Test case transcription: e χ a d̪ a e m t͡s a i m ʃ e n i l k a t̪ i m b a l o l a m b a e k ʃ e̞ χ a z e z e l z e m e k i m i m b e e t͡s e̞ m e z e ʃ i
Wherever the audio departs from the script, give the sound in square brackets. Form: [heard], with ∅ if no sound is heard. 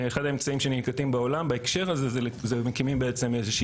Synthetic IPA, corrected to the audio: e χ a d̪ a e m t͡s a i m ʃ e n i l k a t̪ i m b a [∅] o l a m b a e k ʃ e̞ [ʁ] a z e z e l z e m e k i m i m b e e t͡s e̞ m e z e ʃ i

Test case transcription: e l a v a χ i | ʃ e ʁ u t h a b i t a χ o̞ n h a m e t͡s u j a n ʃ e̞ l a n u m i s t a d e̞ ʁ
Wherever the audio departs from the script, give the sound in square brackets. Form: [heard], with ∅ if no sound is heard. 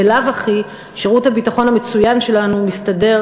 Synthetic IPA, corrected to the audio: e l a v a χ i | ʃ e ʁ u t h a b i t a χ o̞ n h a m e t͡s u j a n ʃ e̞ l a n u m i s t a d e̞ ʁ

